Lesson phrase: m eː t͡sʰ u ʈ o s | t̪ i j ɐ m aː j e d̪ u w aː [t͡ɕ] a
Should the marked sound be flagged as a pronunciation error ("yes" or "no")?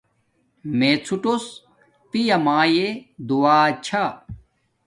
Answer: yes